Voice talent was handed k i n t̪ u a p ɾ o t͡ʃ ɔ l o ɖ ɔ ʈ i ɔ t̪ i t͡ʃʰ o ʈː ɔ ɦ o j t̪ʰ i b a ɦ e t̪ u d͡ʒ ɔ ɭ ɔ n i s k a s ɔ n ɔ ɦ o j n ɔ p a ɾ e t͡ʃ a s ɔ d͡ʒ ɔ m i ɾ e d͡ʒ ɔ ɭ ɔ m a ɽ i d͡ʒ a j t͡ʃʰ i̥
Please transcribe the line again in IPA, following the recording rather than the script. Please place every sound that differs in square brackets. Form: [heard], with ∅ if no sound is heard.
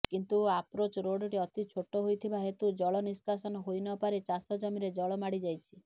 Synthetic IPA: k i n t̪ u a p ɾ o t͡ʃ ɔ [ɾ] o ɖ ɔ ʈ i ɔ t̪ i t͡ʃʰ o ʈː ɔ ɦ o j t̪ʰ i b a ɦ e t̪ u d͡ʒ ɔ ɭ ɔ n i s k a s ɔ n ɔ ɦ o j n ɔ p a ɾ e t͡ʃ a s ɔ d͡ʒ ɔ m i ɾ e d͡ʒ ɔ ɭ ɔ m a ɽ i d͡ʒ a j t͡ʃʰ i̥